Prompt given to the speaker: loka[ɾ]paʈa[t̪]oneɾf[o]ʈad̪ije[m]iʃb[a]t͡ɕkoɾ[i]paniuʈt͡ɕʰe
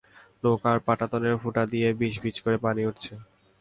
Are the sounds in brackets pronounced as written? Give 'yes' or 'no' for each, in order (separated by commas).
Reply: yes, yes, no, no, no, no